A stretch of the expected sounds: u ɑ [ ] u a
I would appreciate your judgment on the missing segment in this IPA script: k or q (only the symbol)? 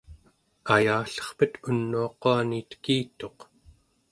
q